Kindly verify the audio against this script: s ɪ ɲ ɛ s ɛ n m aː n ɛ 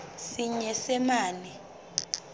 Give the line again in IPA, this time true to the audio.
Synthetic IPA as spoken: s i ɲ ɛ s ɛ m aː n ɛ